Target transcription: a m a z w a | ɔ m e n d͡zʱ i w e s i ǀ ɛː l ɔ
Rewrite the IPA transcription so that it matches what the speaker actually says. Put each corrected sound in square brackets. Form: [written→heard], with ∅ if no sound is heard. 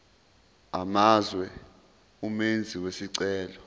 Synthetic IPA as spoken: a m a z w [a→ɛ] | [ɔ→u] m e n d͡zʱ i w e s i ǀ ɛː l ɔ